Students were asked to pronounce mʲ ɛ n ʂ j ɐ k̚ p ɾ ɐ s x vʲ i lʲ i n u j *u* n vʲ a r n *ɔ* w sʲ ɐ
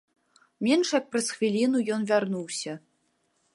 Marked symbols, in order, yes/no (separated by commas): no, no